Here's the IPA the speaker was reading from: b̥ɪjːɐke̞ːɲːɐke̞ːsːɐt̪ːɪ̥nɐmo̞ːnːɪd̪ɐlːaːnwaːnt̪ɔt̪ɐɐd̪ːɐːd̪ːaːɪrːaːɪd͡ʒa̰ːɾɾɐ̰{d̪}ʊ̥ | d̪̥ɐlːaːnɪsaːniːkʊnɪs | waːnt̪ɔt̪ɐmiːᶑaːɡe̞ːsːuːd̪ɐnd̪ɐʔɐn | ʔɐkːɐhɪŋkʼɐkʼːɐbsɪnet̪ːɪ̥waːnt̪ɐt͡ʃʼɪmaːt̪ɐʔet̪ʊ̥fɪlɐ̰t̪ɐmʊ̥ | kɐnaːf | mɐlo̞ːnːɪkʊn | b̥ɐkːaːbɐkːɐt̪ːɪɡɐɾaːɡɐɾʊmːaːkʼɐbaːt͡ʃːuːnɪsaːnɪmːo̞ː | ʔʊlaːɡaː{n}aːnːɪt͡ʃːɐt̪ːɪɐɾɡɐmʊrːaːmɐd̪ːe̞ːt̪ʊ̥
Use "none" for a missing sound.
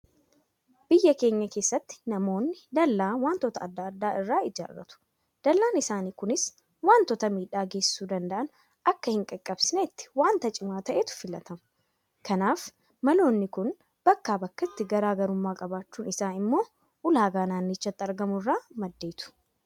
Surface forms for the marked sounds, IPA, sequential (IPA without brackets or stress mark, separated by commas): t̪, n